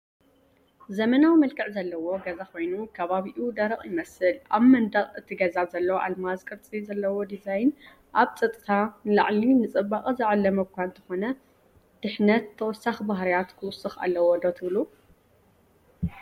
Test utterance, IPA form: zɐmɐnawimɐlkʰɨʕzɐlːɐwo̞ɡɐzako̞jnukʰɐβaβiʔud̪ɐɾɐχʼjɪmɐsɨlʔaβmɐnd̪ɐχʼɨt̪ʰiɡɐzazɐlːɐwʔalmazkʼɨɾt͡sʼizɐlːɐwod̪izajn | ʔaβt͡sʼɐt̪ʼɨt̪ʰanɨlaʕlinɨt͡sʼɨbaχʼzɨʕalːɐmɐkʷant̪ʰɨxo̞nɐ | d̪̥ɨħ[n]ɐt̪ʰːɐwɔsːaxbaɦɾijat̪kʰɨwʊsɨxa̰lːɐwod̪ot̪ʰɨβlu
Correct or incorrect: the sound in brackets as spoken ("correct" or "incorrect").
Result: correct